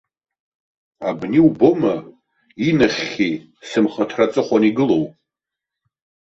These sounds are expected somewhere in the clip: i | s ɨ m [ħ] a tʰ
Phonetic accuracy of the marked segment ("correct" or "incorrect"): incorrect